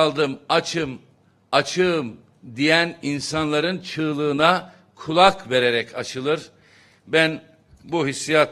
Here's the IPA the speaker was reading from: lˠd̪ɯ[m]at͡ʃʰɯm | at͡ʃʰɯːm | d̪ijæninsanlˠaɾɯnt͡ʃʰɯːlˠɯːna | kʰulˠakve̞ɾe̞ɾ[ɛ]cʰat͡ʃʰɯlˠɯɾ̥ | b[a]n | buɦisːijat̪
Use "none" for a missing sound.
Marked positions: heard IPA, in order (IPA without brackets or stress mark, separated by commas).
m, ɛ, æ